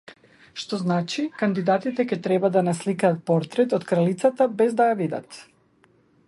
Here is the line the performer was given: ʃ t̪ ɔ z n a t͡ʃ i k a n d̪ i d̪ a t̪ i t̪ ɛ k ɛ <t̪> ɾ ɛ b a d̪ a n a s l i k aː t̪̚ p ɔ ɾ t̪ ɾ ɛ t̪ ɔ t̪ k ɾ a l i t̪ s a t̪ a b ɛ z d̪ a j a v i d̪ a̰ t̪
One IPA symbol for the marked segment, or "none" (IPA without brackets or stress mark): t̪